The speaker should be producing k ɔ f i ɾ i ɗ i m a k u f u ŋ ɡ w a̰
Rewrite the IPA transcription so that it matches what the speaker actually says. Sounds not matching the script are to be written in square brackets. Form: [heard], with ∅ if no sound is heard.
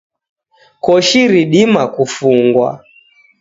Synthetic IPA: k ɔ [ʃ] i ɾ i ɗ i m a k u f u ŋ ɡ w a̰